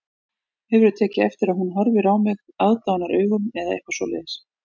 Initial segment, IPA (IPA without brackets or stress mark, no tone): h